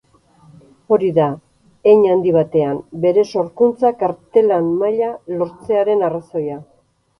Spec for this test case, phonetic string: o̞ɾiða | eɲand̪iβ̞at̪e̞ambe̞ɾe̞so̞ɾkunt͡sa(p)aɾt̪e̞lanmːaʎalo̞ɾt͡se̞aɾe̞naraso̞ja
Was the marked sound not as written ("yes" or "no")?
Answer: yes